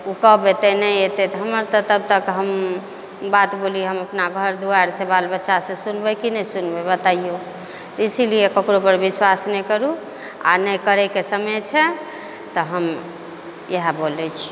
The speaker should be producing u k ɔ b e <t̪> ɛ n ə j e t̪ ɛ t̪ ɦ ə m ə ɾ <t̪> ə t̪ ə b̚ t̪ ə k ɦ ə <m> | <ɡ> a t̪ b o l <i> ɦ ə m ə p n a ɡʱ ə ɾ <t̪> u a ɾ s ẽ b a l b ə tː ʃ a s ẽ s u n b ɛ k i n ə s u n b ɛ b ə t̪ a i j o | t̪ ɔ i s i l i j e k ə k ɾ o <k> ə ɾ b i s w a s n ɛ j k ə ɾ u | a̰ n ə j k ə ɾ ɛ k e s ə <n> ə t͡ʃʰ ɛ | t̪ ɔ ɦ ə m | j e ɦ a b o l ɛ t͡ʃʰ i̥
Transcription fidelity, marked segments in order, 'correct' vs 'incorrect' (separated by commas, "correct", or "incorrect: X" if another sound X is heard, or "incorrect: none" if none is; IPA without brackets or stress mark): correct, correct, correct, incorrect: b, correct, incorrect: d̪, incorrect: p, incorrect: m